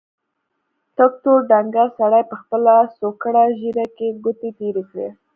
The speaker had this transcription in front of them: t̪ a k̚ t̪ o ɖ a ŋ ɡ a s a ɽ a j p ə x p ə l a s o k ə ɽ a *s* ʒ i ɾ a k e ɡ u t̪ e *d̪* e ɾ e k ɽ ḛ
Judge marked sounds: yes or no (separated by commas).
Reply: no, no